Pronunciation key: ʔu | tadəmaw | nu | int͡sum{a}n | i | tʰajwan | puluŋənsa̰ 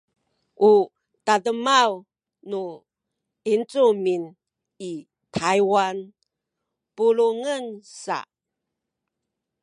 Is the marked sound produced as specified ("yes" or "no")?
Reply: no